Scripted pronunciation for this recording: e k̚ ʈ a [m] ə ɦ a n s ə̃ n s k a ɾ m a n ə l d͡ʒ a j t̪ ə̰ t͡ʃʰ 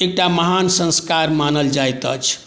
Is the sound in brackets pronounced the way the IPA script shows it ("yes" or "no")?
yes